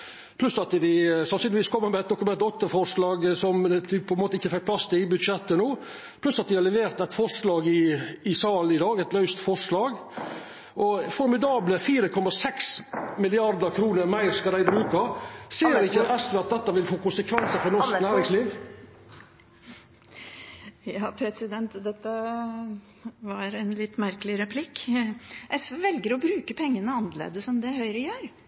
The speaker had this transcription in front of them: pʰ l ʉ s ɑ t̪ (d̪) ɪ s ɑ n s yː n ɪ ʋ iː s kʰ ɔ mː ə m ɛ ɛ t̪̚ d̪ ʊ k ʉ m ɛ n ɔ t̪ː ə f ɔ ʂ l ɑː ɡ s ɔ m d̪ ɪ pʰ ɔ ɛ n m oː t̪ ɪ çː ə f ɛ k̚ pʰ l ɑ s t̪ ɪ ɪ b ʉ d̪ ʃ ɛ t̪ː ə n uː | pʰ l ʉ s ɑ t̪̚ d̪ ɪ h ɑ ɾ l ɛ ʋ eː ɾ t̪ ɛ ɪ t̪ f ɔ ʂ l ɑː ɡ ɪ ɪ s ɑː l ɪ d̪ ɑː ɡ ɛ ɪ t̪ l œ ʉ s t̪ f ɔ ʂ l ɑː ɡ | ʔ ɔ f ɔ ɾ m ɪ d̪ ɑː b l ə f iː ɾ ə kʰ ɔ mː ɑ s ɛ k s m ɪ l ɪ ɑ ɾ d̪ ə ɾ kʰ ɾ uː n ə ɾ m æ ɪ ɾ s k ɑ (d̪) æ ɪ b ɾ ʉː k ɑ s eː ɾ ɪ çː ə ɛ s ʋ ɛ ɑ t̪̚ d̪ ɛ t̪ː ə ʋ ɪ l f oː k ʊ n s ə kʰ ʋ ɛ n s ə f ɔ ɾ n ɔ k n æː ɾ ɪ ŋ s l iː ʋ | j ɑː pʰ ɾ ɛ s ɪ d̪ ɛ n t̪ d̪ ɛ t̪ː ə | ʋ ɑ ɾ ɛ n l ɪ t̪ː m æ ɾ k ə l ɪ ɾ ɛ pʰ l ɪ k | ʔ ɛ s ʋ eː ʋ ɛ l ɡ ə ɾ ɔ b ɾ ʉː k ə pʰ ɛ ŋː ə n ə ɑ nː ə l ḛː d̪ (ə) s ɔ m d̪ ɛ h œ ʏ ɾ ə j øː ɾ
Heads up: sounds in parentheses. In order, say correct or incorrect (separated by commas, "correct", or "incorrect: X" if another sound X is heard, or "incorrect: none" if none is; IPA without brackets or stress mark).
correct, correct, correct